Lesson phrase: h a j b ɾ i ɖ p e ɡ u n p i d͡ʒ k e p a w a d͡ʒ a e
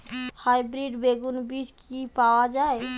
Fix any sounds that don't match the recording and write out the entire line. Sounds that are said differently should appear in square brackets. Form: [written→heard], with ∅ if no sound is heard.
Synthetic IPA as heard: h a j b ɾ i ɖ [p→b] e ɡ u n [p→b] i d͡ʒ k [e→i] p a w a d͡ʒ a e